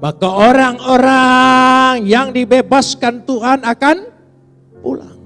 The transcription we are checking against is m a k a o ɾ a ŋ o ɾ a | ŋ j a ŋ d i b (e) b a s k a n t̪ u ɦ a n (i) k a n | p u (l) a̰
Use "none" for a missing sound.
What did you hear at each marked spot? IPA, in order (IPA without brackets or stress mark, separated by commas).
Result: e, a, l